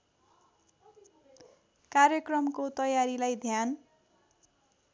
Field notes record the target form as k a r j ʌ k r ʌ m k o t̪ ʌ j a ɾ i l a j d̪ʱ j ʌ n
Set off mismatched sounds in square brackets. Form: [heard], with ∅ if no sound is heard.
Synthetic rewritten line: k a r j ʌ k r ʌ m k o t̪ ʌ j a ɾ i l a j d̪ʱ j [a] n